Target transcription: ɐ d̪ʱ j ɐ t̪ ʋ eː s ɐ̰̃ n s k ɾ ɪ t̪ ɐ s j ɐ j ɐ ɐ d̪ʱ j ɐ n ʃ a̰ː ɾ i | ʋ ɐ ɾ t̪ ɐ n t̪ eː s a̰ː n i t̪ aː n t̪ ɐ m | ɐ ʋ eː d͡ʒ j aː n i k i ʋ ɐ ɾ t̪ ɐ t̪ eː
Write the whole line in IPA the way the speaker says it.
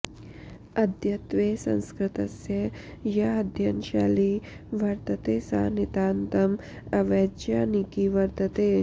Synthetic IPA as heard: ɐ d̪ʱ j ɐ t̪ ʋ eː s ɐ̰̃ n s k ɾ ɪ t̪ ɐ s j ɐ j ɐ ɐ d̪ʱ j ɐ n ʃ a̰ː l i | ʋ ɐ ɾ t̪ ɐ t̪ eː s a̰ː n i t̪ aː n t̪ ɐ m | ɐ ʋ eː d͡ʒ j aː n i k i ʋ ɐ ɾ t̪ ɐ t̪ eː